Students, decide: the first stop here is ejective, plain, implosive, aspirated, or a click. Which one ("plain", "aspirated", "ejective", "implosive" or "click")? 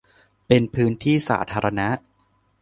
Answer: plain